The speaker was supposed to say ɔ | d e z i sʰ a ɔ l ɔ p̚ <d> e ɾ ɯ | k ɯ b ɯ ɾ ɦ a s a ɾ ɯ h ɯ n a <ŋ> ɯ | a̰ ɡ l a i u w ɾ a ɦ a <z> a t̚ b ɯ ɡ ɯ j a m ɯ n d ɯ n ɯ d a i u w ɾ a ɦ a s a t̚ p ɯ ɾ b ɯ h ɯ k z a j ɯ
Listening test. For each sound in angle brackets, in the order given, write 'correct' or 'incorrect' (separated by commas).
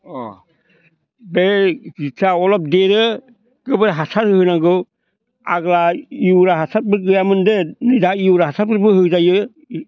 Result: correct, incorrect, incorrect